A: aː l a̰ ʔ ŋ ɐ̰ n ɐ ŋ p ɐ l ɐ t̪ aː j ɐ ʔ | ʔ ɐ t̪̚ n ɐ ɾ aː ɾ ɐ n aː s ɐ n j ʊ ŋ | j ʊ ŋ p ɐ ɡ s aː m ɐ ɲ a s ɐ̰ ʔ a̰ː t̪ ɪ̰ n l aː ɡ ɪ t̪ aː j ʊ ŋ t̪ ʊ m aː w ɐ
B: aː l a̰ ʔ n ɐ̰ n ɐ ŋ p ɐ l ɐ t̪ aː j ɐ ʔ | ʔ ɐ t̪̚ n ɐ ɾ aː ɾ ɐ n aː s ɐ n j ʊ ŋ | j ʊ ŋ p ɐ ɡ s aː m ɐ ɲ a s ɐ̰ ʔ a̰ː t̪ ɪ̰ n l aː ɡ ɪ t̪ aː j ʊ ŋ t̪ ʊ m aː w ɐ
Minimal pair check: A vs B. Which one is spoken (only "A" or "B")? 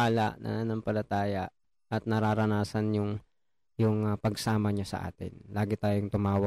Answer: B